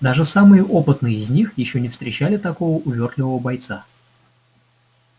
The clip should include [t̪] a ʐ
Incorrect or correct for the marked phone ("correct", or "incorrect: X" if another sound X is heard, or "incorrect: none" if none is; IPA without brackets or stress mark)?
incorrect: d̪